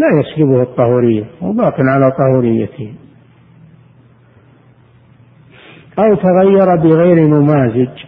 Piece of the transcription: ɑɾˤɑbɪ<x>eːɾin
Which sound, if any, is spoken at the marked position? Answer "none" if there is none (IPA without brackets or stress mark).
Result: ɣ